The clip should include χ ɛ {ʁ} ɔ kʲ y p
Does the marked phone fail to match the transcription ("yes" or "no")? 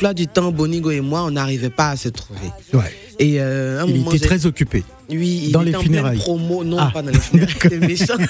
yes